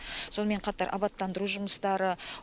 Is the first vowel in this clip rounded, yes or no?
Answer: yes